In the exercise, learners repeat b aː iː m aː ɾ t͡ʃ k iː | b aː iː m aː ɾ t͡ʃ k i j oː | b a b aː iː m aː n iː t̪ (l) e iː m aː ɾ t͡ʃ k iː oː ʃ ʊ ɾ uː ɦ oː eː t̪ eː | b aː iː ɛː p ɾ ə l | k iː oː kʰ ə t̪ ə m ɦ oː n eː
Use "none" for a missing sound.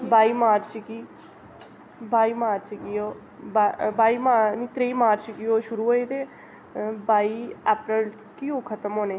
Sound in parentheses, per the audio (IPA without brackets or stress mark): ɾ